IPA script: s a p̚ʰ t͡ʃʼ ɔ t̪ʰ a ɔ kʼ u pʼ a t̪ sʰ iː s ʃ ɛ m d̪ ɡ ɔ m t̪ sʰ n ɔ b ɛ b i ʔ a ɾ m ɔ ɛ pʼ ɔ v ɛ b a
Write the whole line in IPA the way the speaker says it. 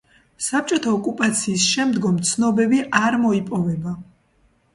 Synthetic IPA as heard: s a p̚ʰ t͡ʃʼ ɔ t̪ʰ a ɔ kʼ u pʼ a t̪ sʰ iː s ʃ ɛ m d̪ ɡ ɔ m t̪ sʰ n ɔ b ɛ b i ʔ a ɾ m ɔ i pʼ ɔ v ɛ b a